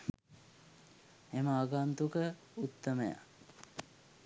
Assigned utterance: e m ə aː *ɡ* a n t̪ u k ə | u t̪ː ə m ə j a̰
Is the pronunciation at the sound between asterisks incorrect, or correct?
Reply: correct